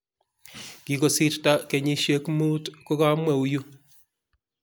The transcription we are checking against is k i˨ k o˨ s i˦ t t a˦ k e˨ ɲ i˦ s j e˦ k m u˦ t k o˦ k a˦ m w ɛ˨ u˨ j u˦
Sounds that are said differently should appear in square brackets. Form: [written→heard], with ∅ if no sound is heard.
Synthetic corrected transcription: k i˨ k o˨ s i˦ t t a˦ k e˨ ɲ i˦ [s→ʃ] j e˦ k m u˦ t k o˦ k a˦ m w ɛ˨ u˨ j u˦